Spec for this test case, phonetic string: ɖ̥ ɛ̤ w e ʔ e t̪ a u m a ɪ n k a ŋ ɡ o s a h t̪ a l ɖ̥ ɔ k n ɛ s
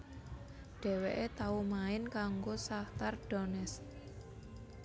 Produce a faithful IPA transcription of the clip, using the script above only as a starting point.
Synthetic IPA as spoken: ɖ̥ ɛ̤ w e ʔ e t̪ a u m a ɪ n k a ŋ ɡ o s a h t̪ a r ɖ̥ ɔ n ɛ s